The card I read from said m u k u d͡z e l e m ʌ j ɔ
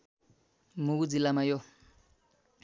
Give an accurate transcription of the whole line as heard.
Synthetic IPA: m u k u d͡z i l a m a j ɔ